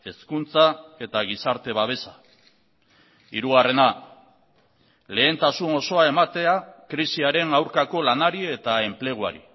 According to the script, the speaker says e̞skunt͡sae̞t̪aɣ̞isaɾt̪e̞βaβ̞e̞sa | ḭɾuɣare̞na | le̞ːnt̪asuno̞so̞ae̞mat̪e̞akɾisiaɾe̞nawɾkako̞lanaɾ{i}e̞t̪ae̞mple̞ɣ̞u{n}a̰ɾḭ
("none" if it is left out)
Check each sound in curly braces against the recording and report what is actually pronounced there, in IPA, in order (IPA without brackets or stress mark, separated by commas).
i, none